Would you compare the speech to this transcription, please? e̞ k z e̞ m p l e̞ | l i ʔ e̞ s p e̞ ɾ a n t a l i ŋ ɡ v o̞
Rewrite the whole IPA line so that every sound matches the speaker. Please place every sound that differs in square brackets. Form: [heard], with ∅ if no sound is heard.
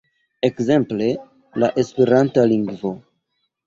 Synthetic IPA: e̞ k z e̞ m p l e̞ | l [a] ʔ e̞ s p e̞ ɾ a n t a l i ŋ ɡ v o̞